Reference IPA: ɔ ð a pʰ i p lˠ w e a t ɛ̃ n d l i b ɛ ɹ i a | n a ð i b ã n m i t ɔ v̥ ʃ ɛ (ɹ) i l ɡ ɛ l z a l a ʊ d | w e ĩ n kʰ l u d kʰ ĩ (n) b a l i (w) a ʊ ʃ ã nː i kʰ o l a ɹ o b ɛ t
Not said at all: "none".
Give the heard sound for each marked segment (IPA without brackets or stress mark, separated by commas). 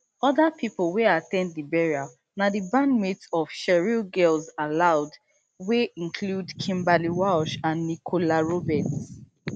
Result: ɹ, m, w